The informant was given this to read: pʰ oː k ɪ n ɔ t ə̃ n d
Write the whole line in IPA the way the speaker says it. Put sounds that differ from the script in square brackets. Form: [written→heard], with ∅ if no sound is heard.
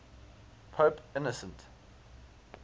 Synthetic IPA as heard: pʰ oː [k→p] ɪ n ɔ [t→s] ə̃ n [d→t]